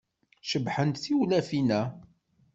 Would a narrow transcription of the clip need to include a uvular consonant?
no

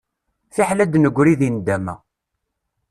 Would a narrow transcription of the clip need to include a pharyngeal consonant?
yes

